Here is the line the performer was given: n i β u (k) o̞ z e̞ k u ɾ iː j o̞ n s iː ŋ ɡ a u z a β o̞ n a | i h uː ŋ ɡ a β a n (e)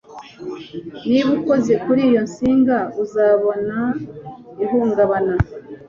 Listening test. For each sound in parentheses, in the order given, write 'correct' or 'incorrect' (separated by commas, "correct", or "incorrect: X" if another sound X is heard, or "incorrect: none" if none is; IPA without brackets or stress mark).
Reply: correct, incorrect: a